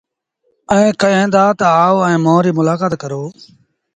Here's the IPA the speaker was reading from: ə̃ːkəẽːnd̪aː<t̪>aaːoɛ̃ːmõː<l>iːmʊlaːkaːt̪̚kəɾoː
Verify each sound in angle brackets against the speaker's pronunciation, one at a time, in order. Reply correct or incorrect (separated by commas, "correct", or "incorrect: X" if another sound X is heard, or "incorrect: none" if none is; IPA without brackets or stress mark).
correct, incorrect: ɾ